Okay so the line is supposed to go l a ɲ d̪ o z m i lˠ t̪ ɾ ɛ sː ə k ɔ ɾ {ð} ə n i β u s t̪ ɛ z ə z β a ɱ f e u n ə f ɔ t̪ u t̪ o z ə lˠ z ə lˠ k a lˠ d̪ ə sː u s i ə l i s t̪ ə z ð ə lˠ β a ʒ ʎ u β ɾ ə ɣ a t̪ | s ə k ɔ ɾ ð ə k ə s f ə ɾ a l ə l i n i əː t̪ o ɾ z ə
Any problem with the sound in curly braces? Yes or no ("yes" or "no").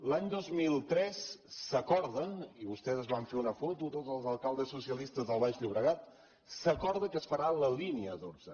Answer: no